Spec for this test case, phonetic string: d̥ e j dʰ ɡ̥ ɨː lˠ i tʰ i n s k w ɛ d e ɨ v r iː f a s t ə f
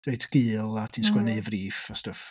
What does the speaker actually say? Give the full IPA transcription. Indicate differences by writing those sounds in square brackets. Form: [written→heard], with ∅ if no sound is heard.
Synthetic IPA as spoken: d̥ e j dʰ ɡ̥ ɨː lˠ [i→a] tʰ i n s k w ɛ [d→n] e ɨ v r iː f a s t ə f